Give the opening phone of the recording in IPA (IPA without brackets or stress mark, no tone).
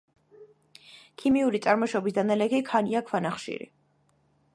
kʰ